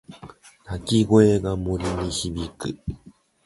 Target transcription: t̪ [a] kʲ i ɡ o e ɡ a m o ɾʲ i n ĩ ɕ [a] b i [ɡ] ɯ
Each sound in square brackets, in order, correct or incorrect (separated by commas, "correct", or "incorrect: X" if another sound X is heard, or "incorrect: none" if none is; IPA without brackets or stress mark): correct, incorrect: i, incorrect: k